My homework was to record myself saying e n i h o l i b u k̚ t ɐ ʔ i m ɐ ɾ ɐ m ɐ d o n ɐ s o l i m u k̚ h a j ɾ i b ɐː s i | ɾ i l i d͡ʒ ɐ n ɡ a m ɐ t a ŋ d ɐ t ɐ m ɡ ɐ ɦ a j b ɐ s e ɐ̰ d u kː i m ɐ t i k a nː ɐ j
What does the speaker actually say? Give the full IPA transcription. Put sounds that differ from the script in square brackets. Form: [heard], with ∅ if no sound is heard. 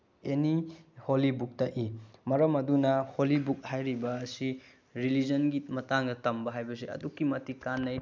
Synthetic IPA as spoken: e n i h o l i b u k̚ t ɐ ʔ i m ɐ ɾ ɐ m ɐ d [u] n ɐ [h] o l i [b] u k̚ h a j ɾ i b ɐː s i | ɾ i l i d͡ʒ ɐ n ɡ [i] m ɐ t a ŋ d ɐ t ɐ m [b] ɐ ɦ a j b ɐ s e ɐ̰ d u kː i m ɐ t i k a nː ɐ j

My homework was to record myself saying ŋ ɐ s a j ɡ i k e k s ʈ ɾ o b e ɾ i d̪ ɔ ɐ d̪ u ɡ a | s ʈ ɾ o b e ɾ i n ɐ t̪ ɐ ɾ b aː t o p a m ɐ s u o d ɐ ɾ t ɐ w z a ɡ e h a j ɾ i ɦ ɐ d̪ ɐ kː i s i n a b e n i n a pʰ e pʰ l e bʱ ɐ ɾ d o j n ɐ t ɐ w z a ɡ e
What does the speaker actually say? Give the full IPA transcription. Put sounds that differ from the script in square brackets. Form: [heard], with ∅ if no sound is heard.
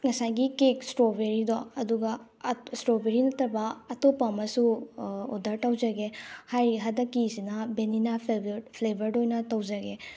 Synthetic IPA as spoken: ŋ ɐ s a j ɡ i k e k s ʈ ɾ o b e ɾ i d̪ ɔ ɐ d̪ u ɡ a | s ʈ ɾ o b e ɾ i n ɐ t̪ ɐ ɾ b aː t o p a m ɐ s u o d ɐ ɾ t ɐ w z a ɡ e h a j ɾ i ɦ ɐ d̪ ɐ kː i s i n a b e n i n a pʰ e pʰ l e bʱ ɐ ɾ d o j n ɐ t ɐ w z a ɡ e

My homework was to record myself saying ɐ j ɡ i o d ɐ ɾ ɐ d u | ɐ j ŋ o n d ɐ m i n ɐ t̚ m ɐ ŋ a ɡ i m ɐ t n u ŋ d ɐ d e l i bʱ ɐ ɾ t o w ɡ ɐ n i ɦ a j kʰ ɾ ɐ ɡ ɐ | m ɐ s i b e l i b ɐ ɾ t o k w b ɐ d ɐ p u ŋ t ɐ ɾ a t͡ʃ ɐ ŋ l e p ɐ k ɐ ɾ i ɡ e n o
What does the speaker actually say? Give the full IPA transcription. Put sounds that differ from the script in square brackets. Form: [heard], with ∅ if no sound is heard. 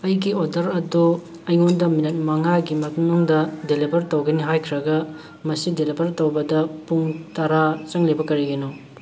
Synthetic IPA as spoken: ɐ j ɡ i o d ɐ ɾ ɐ d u | ɐ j ŋ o n d ɐ m i n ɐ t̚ m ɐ ŋ a ɡ i m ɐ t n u ŋ d ɐ d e l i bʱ ɐ ɾ t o w ɡ ɐ n i ɦ a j kʰ ɾ ɐ ɡ ɐ | m ɐ s i [d] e l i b ɐ ɾ t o [∅] w b ɐ d ɐ p u ŋ t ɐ ɾ a t͡ʃ ɐ ŋ l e [b] ɐ k ɐ ɾ i ɡ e n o

